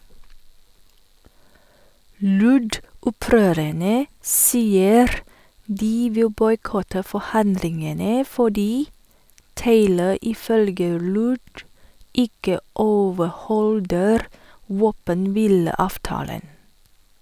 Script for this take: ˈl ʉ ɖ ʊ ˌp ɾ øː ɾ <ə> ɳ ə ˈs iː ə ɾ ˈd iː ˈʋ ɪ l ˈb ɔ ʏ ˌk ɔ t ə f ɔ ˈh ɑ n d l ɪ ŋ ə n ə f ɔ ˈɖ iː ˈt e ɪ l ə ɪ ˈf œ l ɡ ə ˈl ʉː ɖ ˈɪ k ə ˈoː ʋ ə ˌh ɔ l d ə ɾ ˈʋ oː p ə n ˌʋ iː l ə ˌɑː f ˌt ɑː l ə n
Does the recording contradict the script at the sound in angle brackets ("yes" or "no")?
no